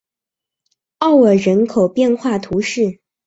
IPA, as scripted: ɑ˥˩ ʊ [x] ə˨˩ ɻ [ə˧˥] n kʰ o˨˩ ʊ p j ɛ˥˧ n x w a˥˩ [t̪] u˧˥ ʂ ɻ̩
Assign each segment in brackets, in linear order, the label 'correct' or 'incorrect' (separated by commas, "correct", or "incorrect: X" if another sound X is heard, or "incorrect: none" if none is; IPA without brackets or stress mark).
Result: incorrect: none, correct, incorrect: t̪ʰ